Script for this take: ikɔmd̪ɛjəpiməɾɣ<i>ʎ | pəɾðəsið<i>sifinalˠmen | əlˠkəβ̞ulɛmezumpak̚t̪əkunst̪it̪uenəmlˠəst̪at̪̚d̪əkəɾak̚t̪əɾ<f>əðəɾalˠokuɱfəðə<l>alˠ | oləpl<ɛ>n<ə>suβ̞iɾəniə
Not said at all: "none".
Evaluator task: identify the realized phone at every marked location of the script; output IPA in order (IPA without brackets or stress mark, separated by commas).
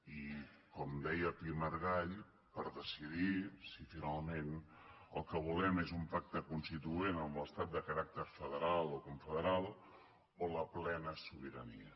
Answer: a, i, f, ɾ, ɛ, ə